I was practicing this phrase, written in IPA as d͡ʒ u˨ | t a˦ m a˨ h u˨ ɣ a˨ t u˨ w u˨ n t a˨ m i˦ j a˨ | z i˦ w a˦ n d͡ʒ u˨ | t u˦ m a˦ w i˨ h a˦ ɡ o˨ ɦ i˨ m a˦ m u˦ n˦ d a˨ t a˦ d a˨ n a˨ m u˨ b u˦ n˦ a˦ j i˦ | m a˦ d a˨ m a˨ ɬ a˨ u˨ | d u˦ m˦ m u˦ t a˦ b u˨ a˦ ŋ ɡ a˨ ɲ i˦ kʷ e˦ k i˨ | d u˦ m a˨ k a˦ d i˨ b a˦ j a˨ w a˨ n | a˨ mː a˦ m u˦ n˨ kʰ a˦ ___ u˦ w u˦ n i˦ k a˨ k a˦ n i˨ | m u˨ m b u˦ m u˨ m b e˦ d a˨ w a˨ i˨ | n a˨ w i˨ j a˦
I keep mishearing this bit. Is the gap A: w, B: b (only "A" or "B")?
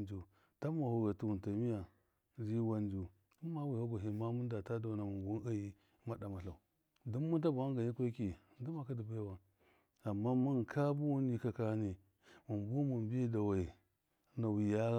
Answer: B